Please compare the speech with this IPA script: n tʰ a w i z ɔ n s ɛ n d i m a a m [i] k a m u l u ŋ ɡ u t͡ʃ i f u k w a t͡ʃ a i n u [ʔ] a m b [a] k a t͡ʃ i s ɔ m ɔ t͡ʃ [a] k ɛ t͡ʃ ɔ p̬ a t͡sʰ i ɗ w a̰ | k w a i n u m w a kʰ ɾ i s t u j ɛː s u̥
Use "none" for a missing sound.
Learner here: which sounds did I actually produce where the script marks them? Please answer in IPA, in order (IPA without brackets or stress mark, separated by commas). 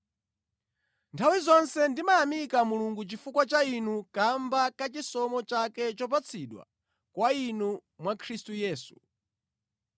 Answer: i, k, a, a